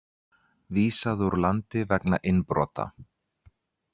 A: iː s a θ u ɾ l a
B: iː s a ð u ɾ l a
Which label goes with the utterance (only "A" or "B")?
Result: B